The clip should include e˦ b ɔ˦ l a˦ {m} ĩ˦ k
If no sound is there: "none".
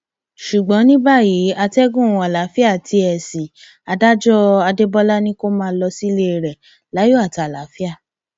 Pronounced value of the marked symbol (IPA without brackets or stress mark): n